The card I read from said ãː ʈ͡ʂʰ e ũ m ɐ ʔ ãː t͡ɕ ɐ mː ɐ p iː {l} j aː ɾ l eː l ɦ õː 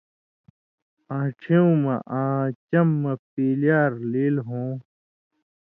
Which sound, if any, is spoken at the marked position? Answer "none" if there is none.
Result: l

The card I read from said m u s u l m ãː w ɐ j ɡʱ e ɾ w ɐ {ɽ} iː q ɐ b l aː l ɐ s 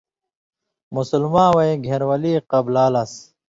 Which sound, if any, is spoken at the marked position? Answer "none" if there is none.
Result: l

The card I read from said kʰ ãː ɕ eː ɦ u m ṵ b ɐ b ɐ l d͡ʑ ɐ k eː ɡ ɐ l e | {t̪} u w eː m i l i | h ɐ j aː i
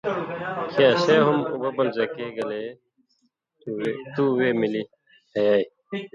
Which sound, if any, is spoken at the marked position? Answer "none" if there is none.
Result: t̪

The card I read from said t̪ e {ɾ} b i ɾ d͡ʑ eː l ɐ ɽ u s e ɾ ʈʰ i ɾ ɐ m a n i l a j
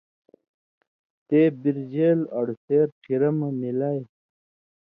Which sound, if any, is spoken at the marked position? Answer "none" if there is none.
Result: none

